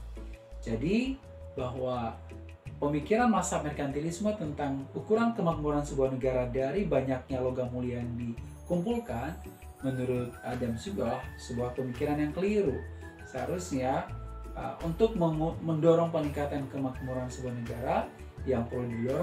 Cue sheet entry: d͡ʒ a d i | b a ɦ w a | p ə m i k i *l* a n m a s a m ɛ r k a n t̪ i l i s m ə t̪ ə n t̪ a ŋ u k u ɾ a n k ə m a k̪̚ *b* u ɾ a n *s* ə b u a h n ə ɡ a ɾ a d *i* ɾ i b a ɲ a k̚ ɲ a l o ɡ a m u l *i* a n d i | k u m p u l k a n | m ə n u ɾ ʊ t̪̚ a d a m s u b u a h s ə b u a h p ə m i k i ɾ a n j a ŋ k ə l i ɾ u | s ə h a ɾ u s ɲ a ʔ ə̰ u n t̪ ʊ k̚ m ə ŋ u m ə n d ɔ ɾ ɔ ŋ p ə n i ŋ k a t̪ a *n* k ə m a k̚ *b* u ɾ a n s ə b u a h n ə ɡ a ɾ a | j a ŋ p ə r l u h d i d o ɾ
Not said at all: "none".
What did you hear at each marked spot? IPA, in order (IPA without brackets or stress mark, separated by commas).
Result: ɾ, m, s, a, i, n, m